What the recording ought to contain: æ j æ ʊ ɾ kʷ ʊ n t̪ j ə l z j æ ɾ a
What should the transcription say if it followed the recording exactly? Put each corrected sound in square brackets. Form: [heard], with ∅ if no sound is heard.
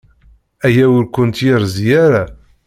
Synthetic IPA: æ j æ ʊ ɾ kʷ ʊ n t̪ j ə [ɾ] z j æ ɾ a

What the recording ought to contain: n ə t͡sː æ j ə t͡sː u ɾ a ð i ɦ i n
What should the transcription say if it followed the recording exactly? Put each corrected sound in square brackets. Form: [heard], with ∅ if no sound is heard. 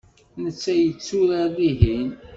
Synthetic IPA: n ə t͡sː æ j ə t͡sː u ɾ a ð i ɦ i n

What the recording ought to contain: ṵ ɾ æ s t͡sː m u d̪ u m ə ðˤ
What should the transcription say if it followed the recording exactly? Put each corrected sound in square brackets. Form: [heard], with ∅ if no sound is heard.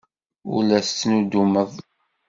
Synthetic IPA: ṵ [l] æ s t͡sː [n] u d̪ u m ə ðˤ

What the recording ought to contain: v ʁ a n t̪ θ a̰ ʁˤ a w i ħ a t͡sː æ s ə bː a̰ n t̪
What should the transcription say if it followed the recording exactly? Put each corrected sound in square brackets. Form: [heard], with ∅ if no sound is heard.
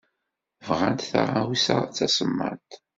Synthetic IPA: v ʁ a n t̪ θ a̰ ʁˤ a w i [s] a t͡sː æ s ə [mː] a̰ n t̪

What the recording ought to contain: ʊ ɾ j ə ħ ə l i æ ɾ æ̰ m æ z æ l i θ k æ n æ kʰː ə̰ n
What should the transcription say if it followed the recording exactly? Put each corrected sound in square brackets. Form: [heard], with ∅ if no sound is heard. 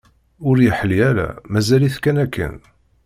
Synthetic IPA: ʊ ɾ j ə ħ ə l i æ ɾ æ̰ m æ z æ l i θ k æ n æ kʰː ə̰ n

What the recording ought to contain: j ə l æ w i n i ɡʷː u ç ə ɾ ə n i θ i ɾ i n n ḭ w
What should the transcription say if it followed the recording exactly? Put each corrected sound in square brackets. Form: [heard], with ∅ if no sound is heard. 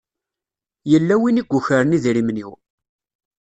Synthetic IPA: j ə [lː] æ w i n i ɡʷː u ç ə ɾ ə n i [ð] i ɾ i [m] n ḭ w

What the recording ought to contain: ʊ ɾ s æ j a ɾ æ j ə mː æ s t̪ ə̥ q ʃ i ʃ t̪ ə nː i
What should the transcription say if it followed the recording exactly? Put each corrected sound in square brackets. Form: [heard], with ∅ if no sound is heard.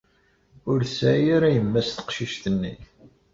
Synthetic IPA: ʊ ɾ s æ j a ɾ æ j ə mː æ s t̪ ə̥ q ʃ i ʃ t̪ ə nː i

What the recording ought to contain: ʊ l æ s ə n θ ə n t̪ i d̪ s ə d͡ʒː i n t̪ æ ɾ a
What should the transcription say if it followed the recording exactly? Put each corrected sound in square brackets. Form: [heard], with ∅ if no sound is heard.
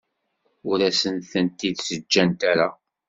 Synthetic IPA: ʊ [ɾ] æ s ə n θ ə n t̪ i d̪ s ə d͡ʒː [æ] n t̪ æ ɾ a

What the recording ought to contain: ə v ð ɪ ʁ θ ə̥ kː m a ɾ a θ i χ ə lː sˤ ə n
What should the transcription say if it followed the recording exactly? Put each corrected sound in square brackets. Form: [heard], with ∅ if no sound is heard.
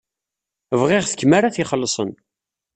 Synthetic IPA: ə v [ʁ] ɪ ʁ θ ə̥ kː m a ɾ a θ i χ ə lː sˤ ə n

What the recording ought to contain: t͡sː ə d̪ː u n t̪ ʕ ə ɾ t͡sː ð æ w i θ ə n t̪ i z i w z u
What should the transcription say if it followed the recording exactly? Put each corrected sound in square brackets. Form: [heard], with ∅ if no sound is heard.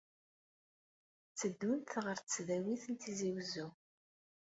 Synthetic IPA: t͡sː ə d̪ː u n t̪ [ʁ] ə ɾ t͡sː ð æ w i θ ə n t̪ i z i w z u

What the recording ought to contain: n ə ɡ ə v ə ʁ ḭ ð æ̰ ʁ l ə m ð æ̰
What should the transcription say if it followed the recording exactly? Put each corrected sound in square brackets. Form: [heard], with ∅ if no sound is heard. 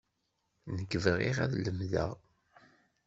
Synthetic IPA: n ə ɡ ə v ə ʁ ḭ [ʁ] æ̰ [ð] l ə m ð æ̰

